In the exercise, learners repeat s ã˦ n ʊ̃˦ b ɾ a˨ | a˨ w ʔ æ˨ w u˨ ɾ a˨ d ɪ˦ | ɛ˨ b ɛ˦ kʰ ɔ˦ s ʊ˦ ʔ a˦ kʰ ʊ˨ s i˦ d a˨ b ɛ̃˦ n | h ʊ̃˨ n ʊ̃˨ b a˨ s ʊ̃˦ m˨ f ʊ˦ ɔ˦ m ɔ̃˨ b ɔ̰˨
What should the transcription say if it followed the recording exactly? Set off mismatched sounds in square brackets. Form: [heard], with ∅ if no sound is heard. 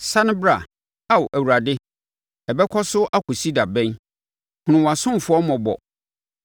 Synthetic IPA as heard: s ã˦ n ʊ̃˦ b ɾ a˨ | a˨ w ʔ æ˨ w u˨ ɾ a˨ d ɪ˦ | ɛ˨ b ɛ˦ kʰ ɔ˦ s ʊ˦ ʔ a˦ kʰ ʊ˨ s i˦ d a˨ b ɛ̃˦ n | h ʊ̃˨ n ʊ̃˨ [w] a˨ s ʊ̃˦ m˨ f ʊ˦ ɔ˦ m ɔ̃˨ b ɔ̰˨